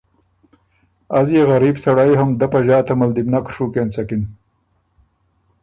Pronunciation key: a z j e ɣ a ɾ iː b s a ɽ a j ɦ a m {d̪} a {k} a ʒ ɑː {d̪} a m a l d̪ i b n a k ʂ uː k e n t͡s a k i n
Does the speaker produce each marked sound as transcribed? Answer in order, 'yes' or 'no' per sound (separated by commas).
yes, no, no